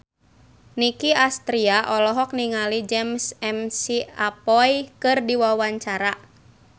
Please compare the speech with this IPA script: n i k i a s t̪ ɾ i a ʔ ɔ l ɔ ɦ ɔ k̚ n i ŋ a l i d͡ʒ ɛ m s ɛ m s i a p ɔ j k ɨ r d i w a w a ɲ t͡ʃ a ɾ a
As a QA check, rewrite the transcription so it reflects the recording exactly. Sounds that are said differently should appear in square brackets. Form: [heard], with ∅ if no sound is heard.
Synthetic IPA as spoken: n i k i a s t̪ ɾ i a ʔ ɔ l ɔ ɦ ɔ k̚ n i ŋ a l i d͡ʒ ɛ m s ɛ m s i a p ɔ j k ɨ r d i w a w a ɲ t͡ʃ a ɾ a